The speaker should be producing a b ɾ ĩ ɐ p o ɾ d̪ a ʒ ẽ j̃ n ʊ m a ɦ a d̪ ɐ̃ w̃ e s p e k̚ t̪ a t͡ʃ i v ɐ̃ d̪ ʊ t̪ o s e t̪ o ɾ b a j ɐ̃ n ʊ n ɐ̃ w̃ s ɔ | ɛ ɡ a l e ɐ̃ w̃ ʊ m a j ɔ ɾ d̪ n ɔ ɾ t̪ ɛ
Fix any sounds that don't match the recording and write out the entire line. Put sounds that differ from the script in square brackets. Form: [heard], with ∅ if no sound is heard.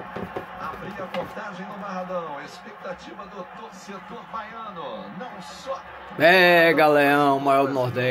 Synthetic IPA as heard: a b ɾ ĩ ɐ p o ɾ [t̪] a ʒ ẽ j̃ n ʊ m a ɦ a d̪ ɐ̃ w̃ e s p e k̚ t̪ a t͡ʃ i v [ɐ] d̪ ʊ t̪ o s e t̪ o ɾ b a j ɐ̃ n ʊ n ɐ̃ w̃ s ɔ | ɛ ɡ a l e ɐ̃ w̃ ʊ m a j ɔ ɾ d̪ n ɔ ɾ [d̪] ɛ